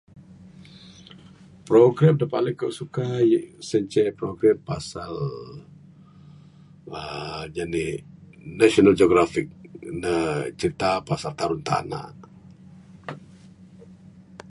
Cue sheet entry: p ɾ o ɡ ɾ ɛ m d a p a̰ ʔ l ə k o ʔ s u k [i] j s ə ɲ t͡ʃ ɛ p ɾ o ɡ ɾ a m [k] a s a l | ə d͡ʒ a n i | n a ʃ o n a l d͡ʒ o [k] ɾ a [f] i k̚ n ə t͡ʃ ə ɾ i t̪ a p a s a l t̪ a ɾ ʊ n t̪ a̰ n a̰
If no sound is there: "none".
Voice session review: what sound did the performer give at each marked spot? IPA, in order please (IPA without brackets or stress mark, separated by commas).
a, p, ɡ, f